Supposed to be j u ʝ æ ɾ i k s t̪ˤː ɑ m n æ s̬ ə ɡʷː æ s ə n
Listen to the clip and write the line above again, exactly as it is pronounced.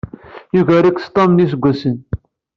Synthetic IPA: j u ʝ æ ɾ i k s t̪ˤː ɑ m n i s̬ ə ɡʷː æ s ə n